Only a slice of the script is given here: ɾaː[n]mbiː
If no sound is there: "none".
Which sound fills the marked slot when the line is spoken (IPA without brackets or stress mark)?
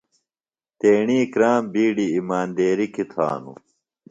none